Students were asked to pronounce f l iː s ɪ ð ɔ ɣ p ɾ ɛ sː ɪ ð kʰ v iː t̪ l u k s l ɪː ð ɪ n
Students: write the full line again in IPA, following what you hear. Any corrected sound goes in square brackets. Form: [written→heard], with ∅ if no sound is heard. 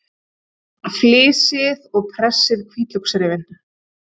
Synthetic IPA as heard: f l [iː→ɪː] s ɪ ð ɔ ɣ [p→pʰ] ɾ ɛ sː ɪ ð kʰ v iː t̪ l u k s [l→ɾ] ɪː [ð→v] ɪ n